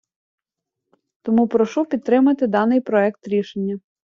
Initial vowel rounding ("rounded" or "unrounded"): rounded